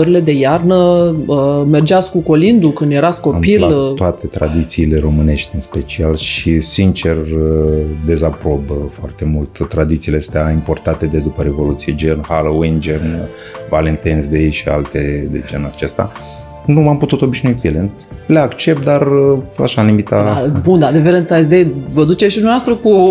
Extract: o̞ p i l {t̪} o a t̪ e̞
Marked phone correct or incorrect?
correct